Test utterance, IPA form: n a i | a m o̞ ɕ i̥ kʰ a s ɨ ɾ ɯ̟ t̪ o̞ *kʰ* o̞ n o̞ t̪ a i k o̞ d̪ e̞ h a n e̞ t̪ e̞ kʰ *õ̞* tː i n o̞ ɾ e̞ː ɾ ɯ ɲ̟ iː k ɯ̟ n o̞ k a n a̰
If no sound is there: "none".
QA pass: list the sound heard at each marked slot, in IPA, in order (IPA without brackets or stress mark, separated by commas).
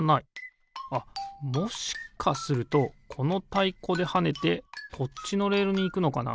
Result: kʰ, o̞